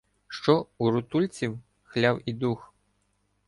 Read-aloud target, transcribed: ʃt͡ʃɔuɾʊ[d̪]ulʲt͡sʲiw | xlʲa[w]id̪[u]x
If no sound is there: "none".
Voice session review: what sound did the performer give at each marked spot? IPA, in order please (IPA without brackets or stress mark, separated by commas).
t̪, w, u